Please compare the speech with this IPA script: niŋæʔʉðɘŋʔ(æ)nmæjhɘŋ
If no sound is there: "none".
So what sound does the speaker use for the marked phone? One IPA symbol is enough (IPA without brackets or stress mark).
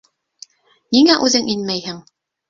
i